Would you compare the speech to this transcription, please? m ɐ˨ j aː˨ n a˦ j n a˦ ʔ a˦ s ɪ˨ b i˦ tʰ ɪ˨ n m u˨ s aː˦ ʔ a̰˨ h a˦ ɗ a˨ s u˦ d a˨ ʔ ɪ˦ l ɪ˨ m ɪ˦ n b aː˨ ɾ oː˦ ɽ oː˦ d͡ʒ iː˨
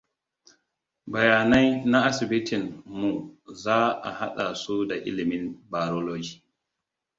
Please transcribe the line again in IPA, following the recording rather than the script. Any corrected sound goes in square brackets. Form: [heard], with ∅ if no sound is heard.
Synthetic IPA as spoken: [b] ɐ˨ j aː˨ n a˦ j n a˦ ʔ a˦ s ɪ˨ b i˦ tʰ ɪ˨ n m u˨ [z] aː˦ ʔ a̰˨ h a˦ ɗ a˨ s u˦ d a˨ ʔ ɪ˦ l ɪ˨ m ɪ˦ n b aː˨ ɾ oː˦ [l] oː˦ d͡ʒ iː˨